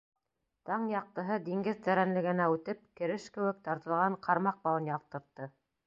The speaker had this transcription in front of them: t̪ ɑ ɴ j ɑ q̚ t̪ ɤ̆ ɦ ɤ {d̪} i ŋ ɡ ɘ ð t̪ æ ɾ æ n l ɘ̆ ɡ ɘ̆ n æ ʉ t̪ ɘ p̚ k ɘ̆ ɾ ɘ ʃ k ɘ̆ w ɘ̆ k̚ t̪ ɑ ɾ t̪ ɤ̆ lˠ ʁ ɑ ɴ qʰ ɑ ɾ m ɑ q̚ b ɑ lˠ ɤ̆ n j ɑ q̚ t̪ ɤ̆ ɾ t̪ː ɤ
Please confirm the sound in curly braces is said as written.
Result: yes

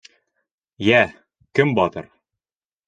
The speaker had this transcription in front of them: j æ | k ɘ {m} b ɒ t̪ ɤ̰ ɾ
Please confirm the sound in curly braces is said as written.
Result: yes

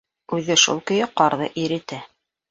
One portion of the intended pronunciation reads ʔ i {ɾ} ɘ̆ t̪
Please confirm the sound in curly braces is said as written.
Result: yes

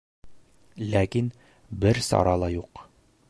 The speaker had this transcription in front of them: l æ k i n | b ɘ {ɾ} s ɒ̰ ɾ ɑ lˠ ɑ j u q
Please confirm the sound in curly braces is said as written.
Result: yes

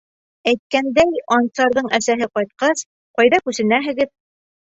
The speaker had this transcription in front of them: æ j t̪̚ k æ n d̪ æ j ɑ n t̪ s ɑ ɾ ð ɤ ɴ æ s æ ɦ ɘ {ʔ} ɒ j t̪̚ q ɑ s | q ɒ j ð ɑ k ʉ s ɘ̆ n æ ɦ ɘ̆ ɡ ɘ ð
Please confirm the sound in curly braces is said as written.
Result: no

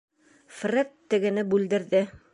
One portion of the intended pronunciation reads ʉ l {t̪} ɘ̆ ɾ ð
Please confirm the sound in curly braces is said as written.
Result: no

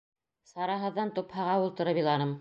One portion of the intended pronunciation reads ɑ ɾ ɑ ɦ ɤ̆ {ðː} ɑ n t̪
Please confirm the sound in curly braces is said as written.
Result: yes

